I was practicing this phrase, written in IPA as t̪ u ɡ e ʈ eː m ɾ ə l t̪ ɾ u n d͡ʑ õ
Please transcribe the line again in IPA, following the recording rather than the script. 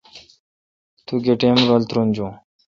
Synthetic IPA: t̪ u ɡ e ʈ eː m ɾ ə l t̪ ɾ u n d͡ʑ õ